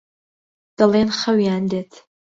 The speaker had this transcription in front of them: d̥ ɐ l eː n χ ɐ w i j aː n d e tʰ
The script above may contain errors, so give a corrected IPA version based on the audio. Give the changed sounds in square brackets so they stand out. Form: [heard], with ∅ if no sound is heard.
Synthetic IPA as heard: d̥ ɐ l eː n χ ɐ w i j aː n d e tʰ